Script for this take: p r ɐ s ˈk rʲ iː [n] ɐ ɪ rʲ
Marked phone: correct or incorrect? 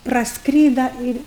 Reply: incorrect